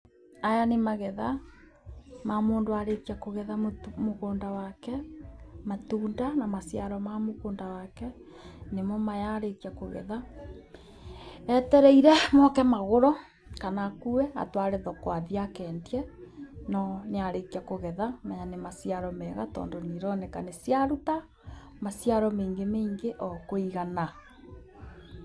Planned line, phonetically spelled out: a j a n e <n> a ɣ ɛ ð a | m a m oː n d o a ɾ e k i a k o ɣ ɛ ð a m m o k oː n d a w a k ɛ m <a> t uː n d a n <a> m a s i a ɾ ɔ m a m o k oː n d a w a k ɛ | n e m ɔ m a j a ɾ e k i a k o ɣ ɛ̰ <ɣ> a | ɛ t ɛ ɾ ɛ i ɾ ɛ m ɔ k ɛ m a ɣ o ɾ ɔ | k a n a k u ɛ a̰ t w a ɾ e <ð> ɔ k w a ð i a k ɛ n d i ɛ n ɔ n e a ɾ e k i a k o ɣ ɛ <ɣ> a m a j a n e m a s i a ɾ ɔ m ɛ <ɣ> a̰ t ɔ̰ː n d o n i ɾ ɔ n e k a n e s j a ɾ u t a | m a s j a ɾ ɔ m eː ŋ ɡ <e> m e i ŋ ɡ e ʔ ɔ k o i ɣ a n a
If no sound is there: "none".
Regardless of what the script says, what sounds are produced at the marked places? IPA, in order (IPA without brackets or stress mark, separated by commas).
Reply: m, a, a, ð, ð, ð, ɣ, e